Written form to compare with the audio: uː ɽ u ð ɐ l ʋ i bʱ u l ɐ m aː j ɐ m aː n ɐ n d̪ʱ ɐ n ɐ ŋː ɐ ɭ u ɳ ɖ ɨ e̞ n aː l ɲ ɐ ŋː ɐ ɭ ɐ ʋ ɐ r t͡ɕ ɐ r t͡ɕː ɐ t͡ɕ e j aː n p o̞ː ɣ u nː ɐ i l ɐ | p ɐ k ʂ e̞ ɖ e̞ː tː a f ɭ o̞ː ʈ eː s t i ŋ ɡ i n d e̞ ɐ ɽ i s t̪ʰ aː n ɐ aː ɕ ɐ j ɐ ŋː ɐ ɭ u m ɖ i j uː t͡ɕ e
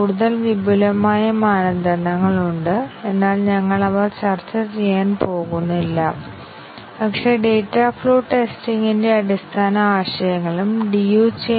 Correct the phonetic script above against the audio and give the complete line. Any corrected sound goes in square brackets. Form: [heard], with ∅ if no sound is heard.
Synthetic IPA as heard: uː ɽ u ð ɐ l ʋ i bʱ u l ɐ m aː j ɐ m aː n ɐ n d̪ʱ ɐ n ɐ ŋː ɐ ɭ u ɳ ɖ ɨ e̞ [nː] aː l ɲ ɐ ŋː ɐ ɭ ɐ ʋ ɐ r t͡ɕ ɐ r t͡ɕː ɐ t͡ɕ e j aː n p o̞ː ɣ u nː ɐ i [lː] ɐ | p ɐ k ʂ e̞ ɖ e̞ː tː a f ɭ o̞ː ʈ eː s t i ŋ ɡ i n d e̞ ɐ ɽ i s t̪ʰ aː n ɐ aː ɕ ɐ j ɐ ŋː ɐ ɭ u m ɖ i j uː t͡ɕ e